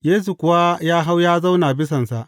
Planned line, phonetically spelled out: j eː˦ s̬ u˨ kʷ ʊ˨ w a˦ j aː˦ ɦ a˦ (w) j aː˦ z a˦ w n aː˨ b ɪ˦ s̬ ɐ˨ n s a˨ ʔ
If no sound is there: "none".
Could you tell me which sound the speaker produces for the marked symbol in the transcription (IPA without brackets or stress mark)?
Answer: w